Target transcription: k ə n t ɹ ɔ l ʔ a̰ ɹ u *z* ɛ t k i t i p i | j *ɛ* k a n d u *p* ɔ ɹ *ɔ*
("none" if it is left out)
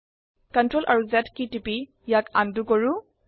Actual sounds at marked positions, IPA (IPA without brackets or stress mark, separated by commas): z, a, k, u